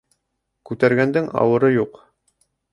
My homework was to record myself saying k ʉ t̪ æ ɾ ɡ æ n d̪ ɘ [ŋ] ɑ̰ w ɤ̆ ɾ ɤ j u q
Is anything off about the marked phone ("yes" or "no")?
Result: no